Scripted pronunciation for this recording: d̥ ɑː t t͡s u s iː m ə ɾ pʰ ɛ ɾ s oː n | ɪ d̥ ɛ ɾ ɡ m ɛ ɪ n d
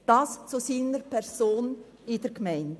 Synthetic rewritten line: d̥ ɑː s t͡s u s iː n ə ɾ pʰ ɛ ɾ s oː n | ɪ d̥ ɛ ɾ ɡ m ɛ ɪ n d